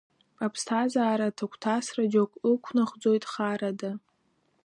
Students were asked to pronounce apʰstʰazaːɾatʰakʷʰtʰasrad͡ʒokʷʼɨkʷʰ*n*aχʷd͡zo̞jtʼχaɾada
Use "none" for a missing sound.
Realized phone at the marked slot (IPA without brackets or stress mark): n